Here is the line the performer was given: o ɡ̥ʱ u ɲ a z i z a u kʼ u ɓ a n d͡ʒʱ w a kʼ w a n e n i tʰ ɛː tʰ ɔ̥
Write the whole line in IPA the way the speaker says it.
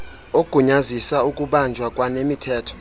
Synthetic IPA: o ɡ̥ʱ u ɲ a z i s a u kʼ u ɓ a n d͡ʒʱ w a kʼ w a n e m i tʰ ɛː tʰ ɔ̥